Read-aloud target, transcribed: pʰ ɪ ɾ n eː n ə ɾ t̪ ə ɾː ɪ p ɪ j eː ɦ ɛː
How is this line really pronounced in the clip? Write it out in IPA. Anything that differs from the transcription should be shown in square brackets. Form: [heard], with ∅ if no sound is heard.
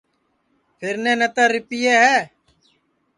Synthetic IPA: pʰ ɪ ɾ n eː n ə [∅] t̪ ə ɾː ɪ p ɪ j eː ɦ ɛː

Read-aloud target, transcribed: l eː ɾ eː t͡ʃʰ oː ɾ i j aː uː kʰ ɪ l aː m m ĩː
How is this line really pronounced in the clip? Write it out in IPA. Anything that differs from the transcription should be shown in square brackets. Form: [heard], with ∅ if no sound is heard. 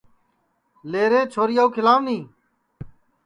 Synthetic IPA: l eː ɾ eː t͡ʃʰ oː ɾ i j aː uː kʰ ɪ l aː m [n] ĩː

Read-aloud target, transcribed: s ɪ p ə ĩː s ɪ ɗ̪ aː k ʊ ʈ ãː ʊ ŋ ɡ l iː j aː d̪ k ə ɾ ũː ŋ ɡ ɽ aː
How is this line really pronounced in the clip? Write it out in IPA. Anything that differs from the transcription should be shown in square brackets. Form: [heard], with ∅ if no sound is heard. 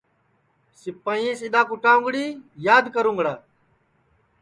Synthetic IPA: s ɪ p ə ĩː s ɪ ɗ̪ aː k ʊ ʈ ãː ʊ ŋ ɡ [ɽ] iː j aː d̪ k ə ɾ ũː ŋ ɡ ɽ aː

